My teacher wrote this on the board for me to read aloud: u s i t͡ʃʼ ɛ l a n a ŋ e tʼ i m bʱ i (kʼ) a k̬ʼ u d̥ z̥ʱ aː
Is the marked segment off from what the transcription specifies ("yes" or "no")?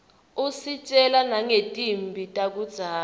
yes